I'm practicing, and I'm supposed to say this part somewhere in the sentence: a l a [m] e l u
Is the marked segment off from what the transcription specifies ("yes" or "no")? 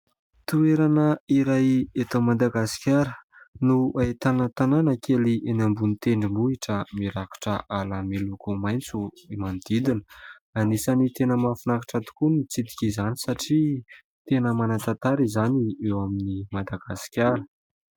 no